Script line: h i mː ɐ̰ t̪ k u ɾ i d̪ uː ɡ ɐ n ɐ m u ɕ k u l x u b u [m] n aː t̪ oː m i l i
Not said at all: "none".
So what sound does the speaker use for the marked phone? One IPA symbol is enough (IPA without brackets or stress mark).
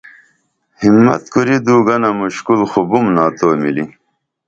m